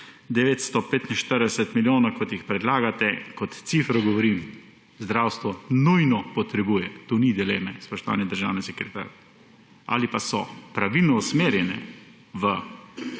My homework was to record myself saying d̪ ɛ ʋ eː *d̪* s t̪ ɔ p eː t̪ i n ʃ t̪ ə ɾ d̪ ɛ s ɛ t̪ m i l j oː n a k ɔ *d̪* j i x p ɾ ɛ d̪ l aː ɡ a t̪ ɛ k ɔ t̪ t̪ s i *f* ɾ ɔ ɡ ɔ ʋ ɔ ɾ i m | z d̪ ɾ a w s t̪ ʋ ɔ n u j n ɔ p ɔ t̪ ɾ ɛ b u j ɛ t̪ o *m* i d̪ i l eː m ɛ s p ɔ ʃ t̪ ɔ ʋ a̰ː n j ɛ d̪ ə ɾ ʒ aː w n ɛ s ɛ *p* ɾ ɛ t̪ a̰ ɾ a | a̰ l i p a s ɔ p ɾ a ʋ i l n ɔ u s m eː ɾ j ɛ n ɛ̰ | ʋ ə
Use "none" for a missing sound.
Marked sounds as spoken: t̪, t̪, f, n, k

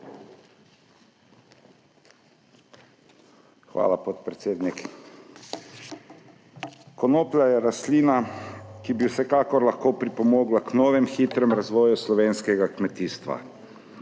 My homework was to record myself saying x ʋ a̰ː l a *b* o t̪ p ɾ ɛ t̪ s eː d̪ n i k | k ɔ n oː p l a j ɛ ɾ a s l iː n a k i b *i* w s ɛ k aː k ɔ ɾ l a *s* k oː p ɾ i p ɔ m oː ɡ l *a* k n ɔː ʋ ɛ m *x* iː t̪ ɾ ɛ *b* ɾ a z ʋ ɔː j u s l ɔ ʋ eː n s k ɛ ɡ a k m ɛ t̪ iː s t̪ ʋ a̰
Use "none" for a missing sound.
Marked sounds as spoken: p, i, x, a, x, m

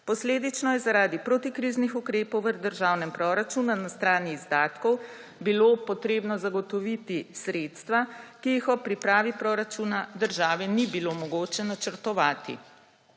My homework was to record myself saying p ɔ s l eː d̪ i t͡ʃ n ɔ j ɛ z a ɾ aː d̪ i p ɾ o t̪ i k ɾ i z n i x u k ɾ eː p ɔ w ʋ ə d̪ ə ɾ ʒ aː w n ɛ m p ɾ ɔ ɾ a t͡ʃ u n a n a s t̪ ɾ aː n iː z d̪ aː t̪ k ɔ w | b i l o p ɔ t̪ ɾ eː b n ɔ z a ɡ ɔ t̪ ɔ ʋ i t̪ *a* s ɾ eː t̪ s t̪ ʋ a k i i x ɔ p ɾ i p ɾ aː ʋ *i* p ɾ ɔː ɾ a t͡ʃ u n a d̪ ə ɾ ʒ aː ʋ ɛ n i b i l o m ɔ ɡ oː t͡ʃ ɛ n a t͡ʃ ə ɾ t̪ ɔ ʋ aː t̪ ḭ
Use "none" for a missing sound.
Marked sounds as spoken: i, i

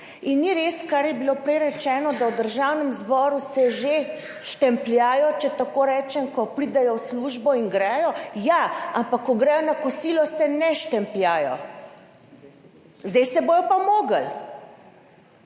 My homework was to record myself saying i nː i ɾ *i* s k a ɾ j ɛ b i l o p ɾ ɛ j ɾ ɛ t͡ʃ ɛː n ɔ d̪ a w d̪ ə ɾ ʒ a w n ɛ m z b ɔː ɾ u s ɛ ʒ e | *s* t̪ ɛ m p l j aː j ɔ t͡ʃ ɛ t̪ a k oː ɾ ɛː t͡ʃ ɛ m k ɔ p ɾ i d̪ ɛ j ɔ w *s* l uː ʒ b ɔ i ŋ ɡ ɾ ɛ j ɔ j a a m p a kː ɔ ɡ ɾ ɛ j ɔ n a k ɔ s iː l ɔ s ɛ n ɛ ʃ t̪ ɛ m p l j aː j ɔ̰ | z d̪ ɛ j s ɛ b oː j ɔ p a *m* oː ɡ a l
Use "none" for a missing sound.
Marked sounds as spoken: e, ʃ, s, m

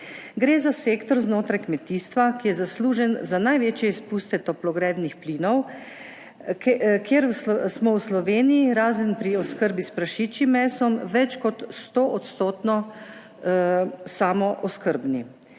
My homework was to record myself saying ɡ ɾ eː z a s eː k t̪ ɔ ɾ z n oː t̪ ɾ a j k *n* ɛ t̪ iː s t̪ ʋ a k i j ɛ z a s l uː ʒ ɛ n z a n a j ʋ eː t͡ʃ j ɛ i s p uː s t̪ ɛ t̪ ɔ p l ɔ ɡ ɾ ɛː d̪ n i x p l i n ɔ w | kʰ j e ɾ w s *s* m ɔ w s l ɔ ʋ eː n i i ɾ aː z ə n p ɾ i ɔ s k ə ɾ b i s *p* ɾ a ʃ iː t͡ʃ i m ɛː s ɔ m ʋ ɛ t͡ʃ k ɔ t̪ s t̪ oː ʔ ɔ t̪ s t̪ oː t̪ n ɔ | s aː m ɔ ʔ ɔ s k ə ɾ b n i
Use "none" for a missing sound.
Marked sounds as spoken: m, s, p

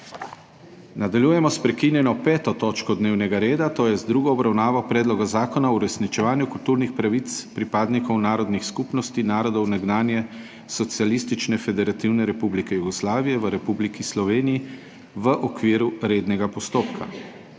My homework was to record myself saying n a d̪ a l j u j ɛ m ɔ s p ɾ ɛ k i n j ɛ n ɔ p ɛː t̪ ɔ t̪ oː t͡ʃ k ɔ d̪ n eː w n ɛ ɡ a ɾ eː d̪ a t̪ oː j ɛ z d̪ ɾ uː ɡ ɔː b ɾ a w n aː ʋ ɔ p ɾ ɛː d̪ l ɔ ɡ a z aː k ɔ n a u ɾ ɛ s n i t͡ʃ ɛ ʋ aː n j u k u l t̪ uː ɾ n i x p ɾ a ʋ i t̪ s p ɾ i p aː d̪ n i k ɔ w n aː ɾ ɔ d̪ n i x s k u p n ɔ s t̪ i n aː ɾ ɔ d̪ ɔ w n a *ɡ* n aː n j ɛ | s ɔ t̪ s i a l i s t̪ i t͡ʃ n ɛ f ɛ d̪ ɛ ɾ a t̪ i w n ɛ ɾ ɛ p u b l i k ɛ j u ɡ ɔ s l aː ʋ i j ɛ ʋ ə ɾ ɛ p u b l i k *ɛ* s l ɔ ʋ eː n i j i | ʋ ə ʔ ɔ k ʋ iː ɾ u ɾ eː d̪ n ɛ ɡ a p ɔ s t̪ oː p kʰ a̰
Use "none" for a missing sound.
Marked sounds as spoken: ɡ, i

